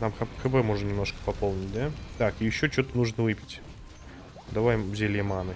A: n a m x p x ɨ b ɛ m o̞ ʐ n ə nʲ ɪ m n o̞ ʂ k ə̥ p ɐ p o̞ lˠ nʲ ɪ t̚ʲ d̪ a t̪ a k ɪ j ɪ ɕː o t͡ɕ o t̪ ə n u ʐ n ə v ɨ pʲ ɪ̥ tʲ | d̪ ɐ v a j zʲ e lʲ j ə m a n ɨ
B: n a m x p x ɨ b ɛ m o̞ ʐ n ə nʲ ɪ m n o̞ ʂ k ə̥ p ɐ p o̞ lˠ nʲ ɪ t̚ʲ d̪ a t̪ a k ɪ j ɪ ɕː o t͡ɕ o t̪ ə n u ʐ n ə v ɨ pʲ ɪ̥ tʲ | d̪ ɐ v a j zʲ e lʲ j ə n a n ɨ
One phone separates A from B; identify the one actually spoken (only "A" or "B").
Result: A